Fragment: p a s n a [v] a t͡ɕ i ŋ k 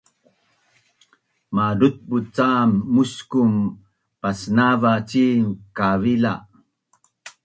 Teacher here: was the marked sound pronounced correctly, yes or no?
yes